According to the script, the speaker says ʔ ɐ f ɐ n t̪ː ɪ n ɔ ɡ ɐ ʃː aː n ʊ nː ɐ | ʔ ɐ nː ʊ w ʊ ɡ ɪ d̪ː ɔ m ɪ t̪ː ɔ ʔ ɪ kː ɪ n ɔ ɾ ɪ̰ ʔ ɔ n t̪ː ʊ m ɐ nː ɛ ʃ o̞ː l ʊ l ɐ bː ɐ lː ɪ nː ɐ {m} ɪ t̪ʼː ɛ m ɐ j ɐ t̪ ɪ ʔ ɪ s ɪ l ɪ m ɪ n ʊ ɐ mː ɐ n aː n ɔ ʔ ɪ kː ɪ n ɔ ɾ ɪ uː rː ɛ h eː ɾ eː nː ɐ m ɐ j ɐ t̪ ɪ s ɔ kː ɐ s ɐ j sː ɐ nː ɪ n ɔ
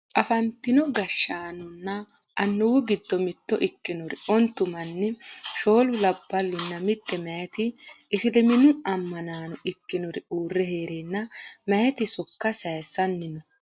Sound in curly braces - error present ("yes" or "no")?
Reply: no